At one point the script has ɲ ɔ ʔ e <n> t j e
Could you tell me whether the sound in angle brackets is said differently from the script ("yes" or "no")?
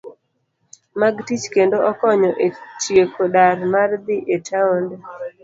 yes